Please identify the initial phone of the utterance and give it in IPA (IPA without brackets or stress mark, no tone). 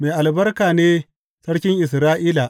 m